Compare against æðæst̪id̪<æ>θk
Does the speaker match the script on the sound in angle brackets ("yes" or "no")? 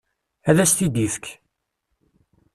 no